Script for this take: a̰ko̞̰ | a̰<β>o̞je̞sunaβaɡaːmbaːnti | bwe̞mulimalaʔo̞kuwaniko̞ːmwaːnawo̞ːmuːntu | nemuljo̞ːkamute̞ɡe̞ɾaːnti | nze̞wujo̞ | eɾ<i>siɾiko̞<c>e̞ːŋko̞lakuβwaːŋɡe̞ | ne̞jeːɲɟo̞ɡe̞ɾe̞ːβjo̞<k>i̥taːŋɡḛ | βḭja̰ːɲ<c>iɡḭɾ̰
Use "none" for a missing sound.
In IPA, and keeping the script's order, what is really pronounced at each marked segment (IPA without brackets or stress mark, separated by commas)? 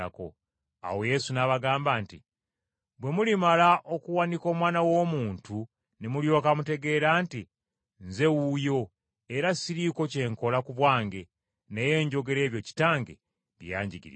w, a, c, c, ɟ